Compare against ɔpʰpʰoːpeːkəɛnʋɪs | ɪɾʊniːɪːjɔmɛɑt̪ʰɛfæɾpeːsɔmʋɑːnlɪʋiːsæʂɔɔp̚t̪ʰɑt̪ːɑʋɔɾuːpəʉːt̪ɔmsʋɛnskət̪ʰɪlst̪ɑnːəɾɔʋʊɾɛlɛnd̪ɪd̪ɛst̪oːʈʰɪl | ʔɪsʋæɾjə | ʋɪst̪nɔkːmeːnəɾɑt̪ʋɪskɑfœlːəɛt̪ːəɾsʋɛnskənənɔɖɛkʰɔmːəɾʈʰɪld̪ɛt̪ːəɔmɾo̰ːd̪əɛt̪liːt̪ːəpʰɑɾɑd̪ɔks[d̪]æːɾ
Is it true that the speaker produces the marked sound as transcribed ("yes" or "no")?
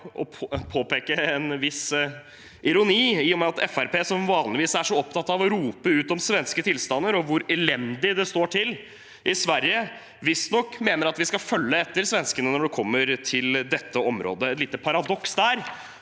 yes